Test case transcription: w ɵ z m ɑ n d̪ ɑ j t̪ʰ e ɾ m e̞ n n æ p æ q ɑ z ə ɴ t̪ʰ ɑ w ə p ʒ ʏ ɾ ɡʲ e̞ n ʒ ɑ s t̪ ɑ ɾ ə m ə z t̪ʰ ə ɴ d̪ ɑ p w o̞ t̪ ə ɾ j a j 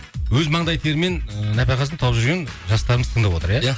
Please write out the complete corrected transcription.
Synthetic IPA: w ɵ z m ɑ ɴ d̪ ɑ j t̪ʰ e ɾ m e̞ n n æ p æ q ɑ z ə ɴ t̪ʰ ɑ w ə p ʒ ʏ ɾ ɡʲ e̞ n ʒ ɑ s t̪ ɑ ɾ ə m ə z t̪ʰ ə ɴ d̪ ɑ p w o̞ t̪ ə ɾ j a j

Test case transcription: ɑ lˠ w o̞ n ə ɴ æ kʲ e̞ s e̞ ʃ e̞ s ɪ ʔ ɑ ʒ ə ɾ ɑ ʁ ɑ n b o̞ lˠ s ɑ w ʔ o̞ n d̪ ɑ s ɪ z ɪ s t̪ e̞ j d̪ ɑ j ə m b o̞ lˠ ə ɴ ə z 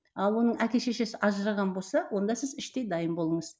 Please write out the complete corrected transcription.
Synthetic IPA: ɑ lˠ w o̞ n ə ɴ æ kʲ e̞ ʃ e̞ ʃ e̞ s ɪ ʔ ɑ ʒ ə ɾ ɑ ʁ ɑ n b o̞ lˠ s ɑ w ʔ o̞ n d̪ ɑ s ɪ z ɪ ʃ t̪ e̞ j d̪ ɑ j ə m b o̞ lˠ ə ɴ ə z

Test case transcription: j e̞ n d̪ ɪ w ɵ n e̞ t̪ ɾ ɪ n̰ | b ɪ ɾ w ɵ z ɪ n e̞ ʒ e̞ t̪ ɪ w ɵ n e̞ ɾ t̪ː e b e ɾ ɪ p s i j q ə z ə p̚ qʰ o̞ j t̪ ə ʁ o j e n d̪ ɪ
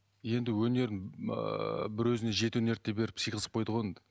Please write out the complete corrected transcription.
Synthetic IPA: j e̞ n d̪ ɪ w ɵ n e̞ ɾ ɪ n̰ | b ɪ ɾ w ɵ z ɪ n e̞ ʒ e̞ t̪ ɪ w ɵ n e̞ ɾ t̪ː e b e ɾ ɪ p s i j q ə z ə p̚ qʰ o̞ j d̪ ə ʁ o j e n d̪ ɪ

